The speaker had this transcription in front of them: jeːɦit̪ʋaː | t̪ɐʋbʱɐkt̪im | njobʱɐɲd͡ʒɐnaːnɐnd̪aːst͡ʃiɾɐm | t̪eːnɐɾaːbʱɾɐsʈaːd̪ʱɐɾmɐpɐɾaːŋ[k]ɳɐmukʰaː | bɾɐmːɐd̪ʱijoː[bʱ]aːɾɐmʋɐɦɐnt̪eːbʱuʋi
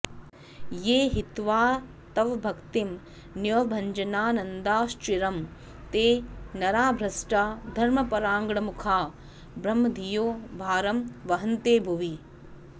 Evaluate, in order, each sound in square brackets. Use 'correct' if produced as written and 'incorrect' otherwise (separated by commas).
incorrect, correct